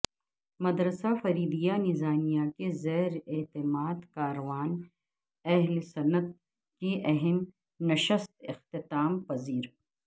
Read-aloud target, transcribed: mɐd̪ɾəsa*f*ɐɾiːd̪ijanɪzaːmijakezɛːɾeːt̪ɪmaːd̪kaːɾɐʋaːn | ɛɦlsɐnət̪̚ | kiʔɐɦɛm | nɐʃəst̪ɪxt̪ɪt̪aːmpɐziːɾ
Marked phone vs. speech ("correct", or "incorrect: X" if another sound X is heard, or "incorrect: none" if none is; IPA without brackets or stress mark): correct